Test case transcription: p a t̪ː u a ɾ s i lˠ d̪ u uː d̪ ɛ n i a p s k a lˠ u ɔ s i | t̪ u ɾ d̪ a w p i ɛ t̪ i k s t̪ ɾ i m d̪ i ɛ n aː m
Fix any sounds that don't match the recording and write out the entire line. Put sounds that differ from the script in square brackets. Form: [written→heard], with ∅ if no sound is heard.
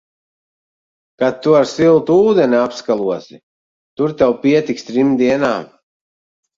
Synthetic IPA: [p→k] a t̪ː u a ɾ s i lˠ [d̪→t̪] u uː d̪ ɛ n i a p s k a lˠ u ɔ s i | t̪ u ɾ [d̪→t̪] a w p i ɛ t̪ i k s t̪ ɾ i m d̪ i ɛ n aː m

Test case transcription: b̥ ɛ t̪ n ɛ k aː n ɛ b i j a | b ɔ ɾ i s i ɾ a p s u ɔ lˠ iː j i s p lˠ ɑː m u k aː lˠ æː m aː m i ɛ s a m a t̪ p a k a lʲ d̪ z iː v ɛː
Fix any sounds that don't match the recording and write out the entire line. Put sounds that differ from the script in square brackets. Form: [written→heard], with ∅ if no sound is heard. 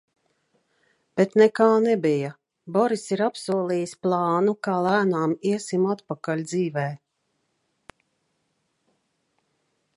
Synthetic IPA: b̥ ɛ t̪ n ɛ k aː n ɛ b i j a | b ɔ ɾ i s i ɾ a p s u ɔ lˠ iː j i s p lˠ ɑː [m→n] u k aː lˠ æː [m→n] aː m i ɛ s [a→i] m a t̪ p a k a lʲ d̪ z iː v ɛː

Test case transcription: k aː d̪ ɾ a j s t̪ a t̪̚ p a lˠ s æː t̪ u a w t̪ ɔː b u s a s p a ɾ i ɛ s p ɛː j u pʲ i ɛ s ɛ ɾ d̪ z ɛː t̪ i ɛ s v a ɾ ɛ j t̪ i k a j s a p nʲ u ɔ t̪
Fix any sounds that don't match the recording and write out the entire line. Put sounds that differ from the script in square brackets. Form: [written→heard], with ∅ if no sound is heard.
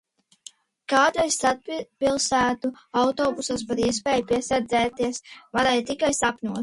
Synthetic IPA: k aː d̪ ɾ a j s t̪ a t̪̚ p [a→i] lˠ s æː t̪ u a w t̪ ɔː b u s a s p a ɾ i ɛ s p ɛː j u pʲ i ɛ s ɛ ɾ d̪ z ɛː t̪ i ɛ s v a ɾ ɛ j t̪ i k a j s a p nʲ u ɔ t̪

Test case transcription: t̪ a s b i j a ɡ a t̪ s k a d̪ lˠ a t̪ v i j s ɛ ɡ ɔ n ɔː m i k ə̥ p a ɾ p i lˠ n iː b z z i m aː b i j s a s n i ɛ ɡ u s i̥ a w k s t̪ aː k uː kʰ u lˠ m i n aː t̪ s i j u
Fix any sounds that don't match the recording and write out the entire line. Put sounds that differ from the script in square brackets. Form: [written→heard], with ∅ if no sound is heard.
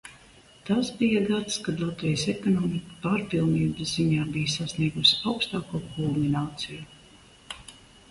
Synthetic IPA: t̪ a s b i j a ɡ a t̪ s k a d̪ lˠ a t̪ v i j s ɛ [ɡ→k] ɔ n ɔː m i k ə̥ p a ɾ p i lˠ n iː b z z i [m→ɲ] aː b i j s a s n i ɛ ɡ u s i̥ a w k s t̪ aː k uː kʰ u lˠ m i n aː t̪ s i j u

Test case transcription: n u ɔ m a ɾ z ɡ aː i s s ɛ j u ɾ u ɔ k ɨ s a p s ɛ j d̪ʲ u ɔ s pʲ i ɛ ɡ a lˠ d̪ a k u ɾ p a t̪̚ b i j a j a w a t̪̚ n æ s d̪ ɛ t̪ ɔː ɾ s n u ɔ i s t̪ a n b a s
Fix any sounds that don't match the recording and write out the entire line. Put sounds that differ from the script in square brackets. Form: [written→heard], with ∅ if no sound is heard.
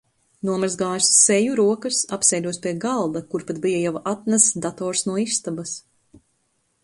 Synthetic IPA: n u ɔ m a ɾ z ɡ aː [i→j] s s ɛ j u ɾ u ɔ k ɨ s a p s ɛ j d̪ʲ u ɔ s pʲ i ɛ ɡ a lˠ d̪ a k u ɾ p a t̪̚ b i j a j a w a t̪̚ n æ s d̪ [ɛ→a] t̪ ɔː ɾ s n u ɔ i s t̪ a [n→∅] b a s

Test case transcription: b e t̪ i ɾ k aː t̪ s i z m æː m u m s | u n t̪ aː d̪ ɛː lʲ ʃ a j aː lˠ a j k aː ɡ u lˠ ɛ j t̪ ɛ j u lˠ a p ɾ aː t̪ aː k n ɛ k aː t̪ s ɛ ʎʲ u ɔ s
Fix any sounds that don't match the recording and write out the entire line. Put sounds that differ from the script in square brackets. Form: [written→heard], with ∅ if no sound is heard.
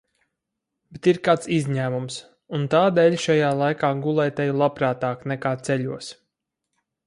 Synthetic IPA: b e t̪ i ɾ k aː t̪ s i z [m→ɲ] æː m u m s | u n t̪ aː d̪ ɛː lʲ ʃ a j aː lˠ a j k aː ɡ u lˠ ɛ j t̪ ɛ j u lˠ a p ɾ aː t̪ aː k n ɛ k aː t̪ s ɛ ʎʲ u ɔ s

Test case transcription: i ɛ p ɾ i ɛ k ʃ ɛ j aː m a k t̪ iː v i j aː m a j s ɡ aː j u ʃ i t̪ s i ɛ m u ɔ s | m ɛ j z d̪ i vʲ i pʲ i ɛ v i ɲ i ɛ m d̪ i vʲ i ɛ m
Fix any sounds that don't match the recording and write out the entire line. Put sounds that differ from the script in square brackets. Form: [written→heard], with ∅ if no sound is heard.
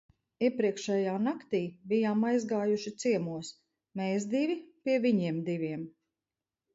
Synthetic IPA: i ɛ p ɾ i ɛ k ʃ ɛ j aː [m→n] a k t̪ iː [v→b] i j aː m a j [s→z] ɡ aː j u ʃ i t̪ s i ɛ m u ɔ s | m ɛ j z d̪ i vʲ i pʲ i ɛ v i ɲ i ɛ m d̪ i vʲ i ɛ m

